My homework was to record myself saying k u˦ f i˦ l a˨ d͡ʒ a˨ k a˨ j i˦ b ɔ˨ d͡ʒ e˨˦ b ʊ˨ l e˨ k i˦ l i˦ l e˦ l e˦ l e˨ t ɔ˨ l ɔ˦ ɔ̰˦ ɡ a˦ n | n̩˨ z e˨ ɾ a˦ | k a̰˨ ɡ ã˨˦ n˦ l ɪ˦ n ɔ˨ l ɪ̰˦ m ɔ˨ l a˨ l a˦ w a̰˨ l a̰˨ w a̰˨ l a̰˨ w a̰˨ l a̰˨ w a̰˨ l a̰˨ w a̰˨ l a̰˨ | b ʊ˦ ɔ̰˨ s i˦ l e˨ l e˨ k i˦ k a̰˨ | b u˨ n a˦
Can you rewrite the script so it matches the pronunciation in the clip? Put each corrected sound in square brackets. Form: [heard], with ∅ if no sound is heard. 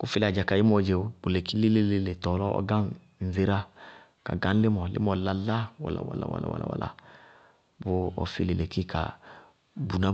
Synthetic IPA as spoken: k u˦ f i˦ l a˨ d͡ʒ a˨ k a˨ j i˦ [m] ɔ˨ d͡ʒ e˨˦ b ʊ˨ l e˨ k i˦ l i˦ l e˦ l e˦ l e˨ t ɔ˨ l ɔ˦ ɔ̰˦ ɡ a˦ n | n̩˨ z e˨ ɾ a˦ | k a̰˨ ɡ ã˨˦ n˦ l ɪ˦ [m] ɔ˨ l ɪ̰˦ m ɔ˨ l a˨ l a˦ w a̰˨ l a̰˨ w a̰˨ l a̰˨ w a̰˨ l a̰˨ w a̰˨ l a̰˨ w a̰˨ l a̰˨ | b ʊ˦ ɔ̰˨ [f] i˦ l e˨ l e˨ k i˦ k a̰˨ | b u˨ n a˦